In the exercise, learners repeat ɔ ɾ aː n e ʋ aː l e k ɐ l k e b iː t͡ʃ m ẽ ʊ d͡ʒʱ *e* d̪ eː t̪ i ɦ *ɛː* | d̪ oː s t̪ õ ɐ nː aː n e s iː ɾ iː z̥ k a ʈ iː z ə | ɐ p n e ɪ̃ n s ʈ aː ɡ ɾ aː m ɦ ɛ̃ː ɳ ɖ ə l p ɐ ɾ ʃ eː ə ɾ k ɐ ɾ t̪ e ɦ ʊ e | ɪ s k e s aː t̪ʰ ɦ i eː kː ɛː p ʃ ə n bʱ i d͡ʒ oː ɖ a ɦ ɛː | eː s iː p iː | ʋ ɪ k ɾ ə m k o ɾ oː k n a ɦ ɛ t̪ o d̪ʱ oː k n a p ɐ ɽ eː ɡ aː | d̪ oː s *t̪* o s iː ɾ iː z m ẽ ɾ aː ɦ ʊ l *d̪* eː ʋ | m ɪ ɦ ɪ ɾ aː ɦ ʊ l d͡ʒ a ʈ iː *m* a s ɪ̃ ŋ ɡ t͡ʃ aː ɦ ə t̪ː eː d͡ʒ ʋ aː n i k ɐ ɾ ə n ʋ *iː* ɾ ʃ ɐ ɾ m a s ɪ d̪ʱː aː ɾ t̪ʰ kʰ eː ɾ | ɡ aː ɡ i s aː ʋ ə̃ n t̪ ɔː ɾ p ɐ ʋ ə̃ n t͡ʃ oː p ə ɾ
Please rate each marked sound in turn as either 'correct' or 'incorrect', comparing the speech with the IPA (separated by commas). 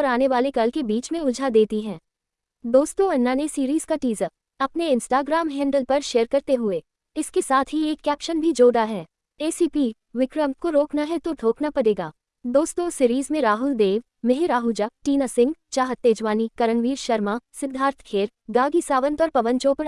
incorrect, incorrect, correct, correct, incorrect, correct